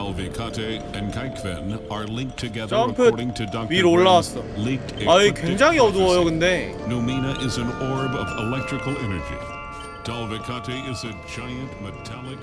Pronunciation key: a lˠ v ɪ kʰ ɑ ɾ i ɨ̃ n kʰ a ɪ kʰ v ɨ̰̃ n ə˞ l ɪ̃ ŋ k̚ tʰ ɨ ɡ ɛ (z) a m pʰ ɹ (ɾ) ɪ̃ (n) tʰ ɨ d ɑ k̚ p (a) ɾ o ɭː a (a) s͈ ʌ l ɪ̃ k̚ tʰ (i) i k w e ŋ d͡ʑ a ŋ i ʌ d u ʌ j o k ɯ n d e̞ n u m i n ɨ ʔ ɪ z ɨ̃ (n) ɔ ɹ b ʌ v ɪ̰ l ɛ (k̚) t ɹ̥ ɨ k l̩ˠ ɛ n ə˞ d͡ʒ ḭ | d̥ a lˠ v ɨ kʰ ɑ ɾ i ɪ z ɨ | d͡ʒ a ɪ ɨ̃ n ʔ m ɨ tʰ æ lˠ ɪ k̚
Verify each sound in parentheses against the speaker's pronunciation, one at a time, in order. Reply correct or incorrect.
incorrect, correct, incorrect, incorrect, correct, incorrect, correct, correct

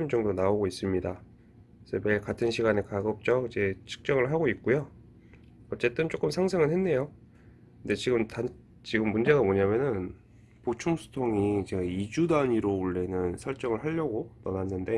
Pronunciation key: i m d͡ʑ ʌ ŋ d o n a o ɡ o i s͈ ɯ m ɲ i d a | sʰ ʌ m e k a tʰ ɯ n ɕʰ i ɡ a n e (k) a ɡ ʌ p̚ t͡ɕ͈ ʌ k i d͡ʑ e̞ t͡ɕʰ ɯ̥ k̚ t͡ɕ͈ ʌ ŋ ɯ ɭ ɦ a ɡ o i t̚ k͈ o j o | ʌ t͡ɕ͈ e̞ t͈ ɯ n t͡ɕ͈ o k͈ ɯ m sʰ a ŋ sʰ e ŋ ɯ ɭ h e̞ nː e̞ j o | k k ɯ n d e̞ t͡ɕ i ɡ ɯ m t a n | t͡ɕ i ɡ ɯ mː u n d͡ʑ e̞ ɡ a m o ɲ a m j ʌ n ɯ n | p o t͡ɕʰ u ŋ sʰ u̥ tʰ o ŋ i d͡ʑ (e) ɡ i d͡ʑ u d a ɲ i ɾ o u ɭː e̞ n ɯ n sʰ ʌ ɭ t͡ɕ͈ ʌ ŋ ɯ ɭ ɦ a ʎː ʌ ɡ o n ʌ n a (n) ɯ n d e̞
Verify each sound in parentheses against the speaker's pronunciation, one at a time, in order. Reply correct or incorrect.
correct, correct, incorrect

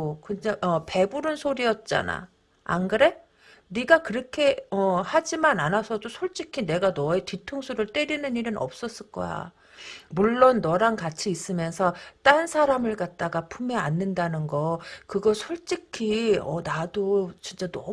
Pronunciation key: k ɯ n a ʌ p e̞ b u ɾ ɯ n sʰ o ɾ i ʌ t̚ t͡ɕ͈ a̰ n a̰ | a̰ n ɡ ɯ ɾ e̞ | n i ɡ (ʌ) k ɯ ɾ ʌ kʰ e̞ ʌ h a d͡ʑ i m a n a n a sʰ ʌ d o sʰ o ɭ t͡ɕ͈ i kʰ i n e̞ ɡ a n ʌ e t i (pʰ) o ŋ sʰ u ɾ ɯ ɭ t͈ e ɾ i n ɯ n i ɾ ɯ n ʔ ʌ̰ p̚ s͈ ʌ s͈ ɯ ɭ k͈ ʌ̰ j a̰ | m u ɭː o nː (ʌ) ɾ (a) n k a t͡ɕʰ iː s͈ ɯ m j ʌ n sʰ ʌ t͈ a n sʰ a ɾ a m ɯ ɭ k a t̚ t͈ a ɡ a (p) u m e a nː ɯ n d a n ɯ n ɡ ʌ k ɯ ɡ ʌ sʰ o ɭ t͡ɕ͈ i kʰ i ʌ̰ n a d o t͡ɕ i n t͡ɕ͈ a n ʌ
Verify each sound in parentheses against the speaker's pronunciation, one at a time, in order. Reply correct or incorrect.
incorrect, incorrect, correct, correct, incorrect

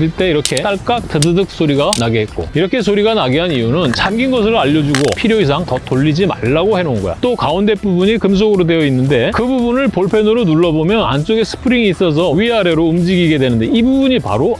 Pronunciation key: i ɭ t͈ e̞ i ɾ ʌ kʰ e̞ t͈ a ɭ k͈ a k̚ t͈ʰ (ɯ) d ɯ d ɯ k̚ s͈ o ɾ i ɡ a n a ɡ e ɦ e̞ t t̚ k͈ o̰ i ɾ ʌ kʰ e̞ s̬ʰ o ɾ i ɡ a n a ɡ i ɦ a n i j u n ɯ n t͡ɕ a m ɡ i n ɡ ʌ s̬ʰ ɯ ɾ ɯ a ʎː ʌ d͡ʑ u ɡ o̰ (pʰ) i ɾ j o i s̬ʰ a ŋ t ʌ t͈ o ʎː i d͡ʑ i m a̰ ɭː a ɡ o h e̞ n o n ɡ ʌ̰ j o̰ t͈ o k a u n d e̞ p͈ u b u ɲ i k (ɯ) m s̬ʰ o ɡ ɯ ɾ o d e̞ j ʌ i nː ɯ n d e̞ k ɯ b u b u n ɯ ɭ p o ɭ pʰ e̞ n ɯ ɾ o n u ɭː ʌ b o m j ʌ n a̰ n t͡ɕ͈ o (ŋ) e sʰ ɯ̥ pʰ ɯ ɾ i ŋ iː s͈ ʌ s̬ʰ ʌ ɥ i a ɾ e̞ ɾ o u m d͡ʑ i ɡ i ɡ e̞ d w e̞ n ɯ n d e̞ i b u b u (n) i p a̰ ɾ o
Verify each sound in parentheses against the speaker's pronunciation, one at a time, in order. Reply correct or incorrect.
correct, correct, correct, incorrect, incorrect

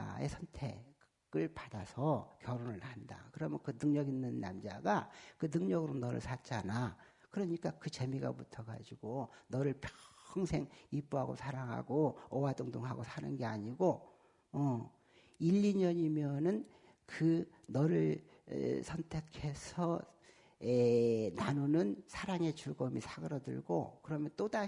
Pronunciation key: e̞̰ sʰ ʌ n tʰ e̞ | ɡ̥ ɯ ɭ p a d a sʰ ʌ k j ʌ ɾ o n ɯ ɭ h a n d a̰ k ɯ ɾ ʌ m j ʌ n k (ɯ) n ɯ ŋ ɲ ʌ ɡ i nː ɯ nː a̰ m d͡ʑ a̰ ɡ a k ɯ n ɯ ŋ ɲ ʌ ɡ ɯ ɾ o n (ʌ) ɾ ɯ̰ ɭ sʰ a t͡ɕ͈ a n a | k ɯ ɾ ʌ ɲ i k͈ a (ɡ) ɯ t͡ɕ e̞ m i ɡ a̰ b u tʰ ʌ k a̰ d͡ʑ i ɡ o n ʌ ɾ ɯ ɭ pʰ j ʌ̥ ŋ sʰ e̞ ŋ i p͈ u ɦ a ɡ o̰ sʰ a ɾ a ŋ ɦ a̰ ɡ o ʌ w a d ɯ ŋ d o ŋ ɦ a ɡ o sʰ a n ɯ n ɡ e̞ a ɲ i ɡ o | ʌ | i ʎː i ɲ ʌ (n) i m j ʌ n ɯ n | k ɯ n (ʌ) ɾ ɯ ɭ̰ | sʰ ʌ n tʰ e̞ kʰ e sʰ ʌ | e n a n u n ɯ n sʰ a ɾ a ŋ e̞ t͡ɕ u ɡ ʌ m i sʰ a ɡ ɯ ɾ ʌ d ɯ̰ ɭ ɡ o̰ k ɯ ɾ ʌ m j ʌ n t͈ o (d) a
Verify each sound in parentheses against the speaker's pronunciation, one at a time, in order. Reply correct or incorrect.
correct, correct, incorrect, incorrect, correct, correct

